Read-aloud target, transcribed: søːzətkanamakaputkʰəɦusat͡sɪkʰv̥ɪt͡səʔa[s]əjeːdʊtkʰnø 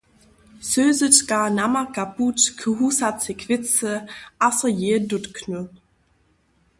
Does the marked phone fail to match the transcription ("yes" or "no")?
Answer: no